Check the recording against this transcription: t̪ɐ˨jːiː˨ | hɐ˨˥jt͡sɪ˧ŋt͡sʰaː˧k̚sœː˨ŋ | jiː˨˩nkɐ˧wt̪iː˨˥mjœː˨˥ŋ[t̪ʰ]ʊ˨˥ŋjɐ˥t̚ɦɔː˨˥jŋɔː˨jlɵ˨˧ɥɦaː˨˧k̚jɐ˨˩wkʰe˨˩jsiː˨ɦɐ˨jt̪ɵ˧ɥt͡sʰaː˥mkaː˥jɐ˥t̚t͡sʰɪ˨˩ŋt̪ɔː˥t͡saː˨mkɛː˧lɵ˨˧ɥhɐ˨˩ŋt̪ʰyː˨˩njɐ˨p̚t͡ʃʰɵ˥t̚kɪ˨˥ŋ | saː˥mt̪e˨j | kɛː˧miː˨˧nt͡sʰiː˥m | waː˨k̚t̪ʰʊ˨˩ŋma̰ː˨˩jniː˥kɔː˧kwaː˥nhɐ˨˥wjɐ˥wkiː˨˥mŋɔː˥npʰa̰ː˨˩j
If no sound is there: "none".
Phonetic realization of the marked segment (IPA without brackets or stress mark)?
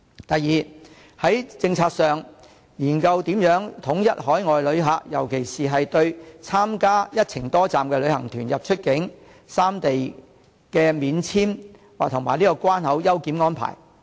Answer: t̪ʰ